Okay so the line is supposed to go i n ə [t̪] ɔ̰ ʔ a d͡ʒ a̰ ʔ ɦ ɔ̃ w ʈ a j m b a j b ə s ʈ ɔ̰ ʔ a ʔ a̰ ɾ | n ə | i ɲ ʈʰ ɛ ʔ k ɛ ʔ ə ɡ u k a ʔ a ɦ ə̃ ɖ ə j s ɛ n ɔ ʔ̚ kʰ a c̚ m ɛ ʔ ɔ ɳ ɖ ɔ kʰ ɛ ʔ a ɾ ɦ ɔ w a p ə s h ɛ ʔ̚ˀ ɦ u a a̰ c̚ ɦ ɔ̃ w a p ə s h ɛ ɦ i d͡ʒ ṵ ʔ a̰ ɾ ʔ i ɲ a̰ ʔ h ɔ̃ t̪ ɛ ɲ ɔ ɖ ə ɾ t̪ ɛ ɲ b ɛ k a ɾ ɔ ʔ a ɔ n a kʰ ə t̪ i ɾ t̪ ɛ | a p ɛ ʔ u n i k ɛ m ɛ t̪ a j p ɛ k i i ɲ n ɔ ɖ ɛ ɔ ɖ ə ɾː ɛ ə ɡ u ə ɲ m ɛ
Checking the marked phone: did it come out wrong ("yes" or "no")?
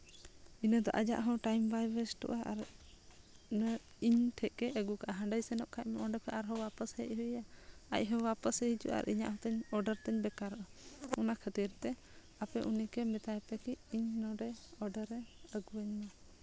yes